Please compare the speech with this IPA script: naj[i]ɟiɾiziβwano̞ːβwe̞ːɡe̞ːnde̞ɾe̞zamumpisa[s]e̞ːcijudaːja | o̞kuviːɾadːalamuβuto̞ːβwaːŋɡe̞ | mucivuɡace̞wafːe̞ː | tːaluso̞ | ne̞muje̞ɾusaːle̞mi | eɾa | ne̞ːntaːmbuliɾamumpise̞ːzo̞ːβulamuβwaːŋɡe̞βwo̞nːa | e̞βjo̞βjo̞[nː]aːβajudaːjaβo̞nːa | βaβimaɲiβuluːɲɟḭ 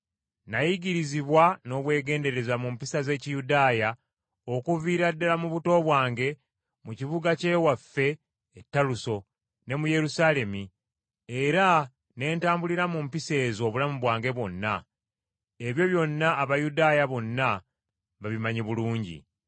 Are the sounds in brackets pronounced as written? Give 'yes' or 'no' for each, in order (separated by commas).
yes, no, yes